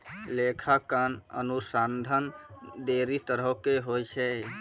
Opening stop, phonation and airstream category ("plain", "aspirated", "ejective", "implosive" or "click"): aspirated